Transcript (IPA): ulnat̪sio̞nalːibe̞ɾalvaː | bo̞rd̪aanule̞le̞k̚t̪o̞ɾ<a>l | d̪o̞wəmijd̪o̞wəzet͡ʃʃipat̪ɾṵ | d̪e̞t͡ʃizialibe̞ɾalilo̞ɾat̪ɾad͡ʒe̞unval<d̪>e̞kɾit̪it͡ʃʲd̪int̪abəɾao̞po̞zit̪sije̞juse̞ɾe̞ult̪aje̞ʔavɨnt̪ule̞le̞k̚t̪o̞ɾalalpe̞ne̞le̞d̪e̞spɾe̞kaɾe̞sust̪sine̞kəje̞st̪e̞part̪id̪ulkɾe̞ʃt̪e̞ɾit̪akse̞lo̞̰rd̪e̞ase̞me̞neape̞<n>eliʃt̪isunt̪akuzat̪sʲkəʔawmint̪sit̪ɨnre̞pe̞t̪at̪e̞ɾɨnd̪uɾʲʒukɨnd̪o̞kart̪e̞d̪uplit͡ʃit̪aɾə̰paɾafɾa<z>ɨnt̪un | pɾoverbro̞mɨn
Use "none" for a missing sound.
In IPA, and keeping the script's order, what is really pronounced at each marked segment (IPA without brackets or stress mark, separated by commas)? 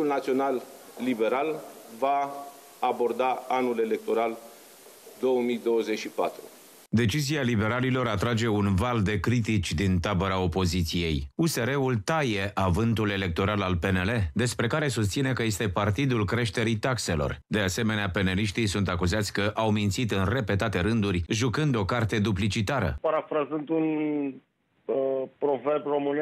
a, d̪, n, z